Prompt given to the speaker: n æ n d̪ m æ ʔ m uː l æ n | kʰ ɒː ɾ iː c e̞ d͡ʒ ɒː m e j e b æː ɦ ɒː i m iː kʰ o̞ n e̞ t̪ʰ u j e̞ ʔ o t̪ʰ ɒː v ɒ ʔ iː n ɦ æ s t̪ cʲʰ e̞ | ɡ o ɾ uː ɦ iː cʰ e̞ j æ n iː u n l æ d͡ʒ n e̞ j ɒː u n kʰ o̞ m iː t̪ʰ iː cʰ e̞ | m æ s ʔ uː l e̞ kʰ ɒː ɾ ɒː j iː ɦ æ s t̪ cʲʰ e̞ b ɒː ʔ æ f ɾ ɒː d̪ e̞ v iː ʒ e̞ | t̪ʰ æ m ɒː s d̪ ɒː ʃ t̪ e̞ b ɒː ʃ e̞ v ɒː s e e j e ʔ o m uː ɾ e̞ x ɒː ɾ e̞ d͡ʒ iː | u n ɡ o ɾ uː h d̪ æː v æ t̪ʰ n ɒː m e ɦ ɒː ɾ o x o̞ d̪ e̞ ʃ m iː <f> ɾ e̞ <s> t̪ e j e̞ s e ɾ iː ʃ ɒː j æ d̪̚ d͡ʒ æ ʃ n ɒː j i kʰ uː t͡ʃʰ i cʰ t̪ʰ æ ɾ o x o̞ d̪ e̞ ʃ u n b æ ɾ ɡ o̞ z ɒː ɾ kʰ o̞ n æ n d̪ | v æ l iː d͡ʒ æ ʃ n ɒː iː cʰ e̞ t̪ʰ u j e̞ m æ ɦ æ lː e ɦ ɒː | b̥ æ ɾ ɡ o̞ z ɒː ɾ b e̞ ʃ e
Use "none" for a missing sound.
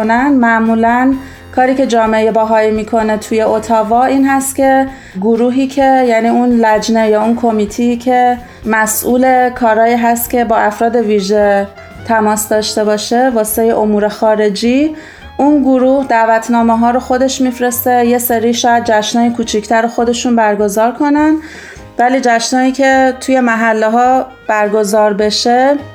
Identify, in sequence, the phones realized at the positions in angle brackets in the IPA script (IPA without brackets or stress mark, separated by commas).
f, s